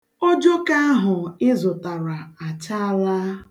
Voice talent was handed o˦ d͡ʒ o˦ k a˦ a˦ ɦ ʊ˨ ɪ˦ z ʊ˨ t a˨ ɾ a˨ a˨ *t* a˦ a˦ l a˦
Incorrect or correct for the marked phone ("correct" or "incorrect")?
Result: incorrect